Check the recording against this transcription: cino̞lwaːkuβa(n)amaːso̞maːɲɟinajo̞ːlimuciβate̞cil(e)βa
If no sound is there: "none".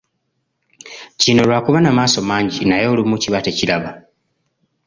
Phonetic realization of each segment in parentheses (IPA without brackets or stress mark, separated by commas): n, a